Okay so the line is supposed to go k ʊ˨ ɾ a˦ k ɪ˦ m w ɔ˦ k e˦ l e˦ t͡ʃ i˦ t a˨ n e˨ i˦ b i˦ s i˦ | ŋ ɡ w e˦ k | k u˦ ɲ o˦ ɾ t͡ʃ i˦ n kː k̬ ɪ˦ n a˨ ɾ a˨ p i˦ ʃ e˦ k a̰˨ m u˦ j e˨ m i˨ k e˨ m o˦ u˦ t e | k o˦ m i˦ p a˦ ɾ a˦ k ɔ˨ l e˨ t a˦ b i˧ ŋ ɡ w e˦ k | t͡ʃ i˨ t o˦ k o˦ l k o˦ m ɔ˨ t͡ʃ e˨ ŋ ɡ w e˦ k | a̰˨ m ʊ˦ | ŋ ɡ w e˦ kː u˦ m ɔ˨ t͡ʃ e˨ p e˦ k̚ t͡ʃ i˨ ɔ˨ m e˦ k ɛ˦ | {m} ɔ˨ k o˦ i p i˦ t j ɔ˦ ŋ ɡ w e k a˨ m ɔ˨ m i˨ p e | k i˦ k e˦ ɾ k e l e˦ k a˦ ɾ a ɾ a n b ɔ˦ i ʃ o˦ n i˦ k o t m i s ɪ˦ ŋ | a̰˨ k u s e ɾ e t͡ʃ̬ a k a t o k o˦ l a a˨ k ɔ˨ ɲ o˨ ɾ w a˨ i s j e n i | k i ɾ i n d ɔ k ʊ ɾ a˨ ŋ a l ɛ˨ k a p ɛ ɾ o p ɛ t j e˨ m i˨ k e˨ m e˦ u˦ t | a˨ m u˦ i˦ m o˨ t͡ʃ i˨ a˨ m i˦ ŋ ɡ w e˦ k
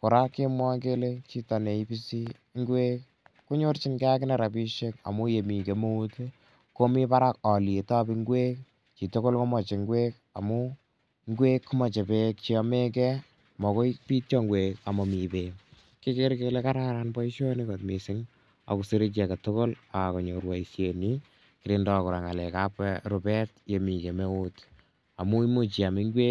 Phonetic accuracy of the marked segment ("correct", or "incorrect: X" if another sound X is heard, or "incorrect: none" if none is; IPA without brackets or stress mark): correct